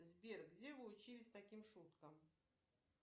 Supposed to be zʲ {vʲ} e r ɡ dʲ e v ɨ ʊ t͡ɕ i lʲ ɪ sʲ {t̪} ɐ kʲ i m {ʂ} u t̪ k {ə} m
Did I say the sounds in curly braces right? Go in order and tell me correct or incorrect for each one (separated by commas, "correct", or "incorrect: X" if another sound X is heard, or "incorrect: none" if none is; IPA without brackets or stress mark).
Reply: incorrect: bʲ, correct, correct, correct